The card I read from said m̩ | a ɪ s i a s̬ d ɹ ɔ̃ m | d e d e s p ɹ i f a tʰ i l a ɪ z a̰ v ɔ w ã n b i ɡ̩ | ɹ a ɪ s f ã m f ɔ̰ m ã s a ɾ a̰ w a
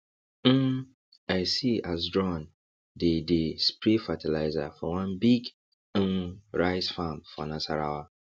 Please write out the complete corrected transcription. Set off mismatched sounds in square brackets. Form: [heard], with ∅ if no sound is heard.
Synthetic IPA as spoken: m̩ | a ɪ s i a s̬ d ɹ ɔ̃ [n] | d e d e s p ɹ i f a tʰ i l a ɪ z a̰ [f] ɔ w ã n b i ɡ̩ | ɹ a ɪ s f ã m f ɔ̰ [n] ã s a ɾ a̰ w a